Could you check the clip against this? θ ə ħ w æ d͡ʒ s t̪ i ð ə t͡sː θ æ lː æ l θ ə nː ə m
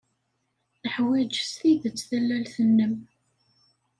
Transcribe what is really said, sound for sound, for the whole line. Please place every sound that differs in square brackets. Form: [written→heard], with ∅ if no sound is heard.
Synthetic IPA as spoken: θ ə ħ w æ d͡ʒ s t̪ i ð ə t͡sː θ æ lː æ l θ ə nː ə m